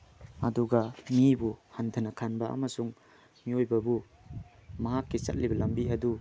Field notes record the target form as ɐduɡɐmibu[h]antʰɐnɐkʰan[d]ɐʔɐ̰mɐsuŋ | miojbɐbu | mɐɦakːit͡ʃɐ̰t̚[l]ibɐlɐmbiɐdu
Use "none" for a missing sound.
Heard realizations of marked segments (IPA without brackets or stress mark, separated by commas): h, b, l